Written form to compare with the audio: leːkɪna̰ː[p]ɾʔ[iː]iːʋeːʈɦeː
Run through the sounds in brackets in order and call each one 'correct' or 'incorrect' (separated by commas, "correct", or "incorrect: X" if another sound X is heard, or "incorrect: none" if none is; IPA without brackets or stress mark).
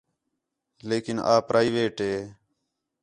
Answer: correct, incorrect: aː